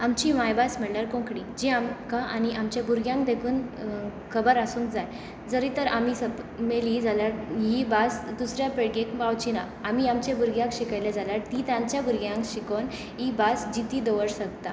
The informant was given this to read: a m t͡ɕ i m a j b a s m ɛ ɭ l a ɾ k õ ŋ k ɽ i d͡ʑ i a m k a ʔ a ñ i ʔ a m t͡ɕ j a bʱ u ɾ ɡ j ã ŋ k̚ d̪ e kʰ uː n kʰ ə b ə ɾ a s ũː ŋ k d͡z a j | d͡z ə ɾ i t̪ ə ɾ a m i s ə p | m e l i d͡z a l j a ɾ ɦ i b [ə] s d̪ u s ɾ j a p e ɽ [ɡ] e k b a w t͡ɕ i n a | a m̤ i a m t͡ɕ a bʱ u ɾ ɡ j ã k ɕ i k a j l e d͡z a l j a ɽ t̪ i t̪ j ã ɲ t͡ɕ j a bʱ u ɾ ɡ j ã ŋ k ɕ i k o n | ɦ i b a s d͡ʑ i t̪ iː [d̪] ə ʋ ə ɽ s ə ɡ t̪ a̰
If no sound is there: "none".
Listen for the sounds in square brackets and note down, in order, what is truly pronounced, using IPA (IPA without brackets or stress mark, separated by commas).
a, ɡ, d̪